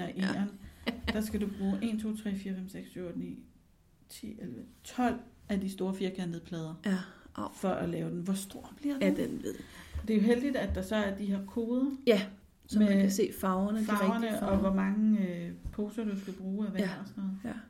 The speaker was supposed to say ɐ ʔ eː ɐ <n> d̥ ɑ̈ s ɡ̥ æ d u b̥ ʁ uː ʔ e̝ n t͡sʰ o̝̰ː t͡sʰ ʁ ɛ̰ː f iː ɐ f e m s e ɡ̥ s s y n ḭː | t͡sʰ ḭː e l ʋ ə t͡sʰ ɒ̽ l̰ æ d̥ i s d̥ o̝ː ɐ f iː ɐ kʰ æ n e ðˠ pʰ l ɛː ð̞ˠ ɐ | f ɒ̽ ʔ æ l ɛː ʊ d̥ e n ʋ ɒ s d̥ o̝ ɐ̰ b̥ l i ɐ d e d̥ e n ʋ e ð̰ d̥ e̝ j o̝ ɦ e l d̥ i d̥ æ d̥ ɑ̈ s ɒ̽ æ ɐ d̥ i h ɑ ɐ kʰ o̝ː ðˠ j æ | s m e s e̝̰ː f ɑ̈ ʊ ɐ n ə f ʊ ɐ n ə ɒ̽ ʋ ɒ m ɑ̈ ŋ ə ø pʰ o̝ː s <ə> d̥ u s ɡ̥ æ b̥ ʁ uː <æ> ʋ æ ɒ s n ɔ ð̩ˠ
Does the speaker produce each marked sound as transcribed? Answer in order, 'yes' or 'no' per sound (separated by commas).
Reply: yes, no, yes